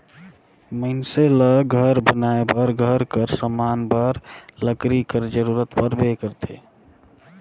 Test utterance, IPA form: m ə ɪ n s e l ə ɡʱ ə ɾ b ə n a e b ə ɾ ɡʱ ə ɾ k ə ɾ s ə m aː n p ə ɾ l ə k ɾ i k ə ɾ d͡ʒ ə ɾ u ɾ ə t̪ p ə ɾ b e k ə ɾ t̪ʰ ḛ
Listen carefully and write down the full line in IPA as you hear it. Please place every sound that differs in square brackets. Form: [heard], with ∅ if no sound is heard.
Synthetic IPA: m ə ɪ n s e l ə ɡʱ ə ɾ b ə n a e b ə ɾ ɡʱ ə ɾ k ə ɾ s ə m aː n [b] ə ɾ l ə k ɾ i k ə ɾ d͡ʒ ə ɾ u ɾ ə t̪ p ə ɾ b e k ə ɾ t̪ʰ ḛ